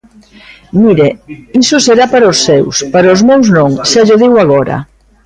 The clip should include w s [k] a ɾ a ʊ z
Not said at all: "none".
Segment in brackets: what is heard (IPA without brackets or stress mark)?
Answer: p